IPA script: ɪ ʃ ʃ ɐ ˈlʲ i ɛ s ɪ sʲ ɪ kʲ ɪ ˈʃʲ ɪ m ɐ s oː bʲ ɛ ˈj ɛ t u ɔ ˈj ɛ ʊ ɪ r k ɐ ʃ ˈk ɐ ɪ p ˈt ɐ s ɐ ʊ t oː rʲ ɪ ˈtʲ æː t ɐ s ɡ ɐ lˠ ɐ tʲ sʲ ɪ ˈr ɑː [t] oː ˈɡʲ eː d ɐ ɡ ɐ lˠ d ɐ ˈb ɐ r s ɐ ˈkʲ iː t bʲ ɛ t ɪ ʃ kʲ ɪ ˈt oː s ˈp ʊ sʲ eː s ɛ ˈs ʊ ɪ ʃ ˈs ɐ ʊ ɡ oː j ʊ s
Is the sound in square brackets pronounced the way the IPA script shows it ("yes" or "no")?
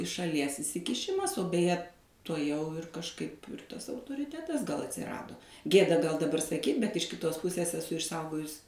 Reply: no